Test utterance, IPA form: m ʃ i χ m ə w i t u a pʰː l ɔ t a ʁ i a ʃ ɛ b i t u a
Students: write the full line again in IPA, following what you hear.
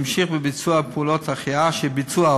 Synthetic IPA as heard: m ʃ i χ b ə b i t͡s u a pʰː l ɔ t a χ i a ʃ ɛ b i t͡s u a